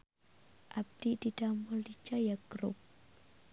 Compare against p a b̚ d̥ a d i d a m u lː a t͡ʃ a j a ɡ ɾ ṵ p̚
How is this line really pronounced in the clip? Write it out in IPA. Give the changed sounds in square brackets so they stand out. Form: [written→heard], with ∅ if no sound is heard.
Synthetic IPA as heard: [p→ʔ] a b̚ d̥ [a→i] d i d a m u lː [a→i] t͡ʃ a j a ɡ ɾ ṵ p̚